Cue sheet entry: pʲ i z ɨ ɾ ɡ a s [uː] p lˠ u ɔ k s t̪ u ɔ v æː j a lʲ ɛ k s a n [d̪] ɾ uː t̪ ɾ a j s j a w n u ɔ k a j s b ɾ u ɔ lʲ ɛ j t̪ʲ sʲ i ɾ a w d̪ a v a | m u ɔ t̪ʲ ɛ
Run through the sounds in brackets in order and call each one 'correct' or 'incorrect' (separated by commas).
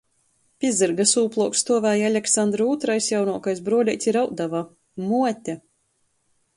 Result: correct, correct